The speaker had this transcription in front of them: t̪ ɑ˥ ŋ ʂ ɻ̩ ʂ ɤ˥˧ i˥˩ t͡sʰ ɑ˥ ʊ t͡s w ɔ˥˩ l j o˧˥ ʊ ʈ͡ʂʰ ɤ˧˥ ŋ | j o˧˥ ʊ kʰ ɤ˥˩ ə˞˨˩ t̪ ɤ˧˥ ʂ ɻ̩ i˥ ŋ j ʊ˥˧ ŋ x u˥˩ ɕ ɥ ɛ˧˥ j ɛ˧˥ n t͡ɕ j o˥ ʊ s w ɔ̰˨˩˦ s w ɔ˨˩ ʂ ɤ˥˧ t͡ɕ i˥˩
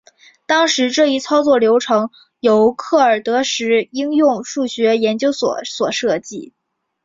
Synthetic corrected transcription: t̪ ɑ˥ ŋ ʂ ɻ̩ ʈ͡ʂ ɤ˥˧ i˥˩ t͡sʰ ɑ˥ ʊ t͡s w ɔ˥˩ l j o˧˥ ʊ ʈ͡ʂʰ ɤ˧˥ ŋ | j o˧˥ ʊ kʰ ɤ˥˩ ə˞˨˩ t̪ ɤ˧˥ ʂ ɻ̩ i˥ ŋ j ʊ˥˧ ŋ ʂ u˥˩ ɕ ɥ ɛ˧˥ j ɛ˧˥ n t͡ɕ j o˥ ʊ s w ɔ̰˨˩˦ s w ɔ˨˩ ʂ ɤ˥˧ t͡ɕ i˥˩